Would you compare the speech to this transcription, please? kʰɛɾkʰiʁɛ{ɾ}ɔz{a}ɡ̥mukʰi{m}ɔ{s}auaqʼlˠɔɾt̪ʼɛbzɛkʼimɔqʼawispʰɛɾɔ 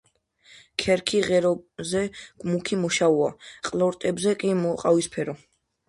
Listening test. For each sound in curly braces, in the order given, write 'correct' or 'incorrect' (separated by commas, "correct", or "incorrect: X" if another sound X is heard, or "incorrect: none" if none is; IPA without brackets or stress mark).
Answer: correct, incorrect: ɛ, correct, incorrect: ʃ